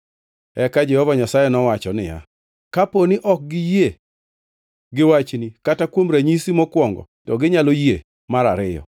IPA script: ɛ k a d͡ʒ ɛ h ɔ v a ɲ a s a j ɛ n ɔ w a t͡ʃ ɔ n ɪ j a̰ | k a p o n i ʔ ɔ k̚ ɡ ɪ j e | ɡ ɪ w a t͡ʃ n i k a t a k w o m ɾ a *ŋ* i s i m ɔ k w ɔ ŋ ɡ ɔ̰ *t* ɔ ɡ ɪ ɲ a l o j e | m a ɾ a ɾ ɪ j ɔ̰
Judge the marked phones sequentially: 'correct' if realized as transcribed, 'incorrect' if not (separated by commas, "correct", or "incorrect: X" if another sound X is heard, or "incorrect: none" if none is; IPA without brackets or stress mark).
incorrect: ɲ, correct